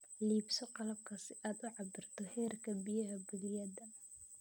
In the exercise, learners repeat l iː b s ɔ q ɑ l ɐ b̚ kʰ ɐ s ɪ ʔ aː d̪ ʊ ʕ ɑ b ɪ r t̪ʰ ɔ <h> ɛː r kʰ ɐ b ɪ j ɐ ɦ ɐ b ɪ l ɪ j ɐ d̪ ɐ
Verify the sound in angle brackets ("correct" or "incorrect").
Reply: correct